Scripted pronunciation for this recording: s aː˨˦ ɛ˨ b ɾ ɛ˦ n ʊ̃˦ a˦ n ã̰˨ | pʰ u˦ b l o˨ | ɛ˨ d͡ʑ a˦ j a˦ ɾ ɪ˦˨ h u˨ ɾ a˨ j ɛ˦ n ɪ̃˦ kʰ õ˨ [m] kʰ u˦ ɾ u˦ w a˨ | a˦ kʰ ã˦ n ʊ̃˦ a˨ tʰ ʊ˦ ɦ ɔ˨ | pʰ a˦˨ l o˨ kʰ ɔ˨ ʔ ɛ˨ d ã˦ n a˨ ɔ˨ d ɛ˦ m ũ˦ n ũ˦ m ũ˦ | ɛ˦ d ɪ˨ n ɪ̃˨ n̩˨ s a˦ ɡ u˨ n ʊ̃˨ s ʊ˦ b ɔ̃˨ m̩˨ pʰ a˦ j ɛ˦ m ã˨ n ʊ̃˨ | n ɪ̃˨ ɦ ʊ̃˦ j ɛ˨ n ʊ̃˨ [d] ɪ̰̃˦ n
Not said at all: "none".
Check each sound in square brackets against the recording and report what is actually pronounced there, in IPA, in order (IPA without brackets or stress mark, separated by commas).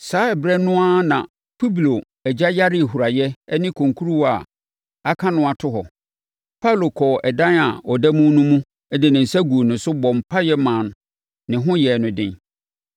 ŋ, d